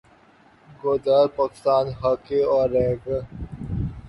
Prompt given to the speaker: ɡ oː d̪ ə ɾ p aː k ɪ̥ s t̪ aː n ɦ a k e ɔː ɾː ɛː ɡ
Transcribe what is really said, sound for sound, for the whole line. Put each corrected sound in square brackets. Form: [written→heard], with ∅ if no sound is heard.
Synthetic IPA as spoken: ɡ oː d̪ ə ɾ p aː k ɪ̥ s t̪ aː n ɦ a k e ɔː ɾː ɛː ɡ